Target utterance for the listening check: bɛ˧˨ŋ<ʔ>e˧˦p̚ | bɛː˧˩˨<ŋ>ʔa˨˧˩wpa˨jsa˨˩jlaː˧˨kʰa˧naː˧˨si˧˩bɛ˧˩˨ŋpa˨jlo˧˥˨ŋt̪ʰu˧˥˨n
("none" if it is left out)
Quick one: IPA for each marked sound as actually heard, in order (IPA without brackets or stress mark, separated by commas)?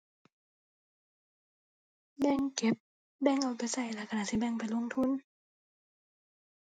k, ŋ